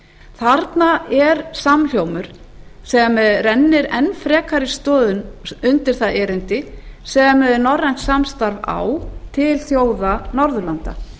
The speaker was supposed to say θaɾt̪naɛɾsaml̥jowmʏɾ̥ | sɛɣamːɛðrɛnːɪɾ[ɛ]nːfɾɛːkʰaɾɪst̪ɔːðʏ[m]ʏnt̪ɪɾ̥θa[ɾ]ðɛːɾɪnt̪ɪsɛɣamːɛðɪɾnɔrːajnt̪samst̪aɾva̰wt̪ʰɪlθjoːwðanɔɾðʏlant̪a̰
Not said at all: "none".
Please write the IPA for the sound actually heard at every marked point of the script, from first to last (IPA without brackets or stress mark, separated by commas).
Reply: ɛ, n, none